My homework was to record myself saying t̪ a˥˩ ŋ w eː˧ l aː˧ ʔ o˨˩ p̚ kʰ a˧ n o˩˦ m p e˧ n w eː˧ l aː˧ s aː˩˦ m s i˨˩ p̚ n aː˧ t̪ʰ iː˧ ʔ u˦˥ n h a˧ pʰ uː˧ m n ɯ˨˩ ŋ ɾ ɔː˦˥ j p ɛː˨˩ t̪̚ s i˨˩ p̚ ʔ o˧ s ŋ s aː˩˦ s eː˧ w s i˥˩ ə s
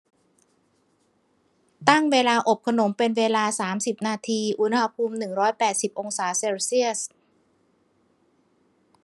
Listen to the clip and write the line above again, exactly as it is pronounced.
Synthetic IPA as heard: t̪ a˥˩ ŋ w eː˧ l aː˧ ʔ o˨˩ p̚ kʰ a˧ n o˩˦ m p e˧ n w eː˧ l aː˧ s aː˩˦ m s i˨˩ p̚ n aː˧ t̪ʰ iː˧ ʔ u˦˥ n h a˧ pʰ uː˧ m n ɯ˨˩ ŋ ɾ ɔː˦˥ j p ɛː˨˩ t̪̚ s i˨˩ p̚ ʔ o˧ ŋ s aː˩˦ s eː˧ w s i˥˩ ə s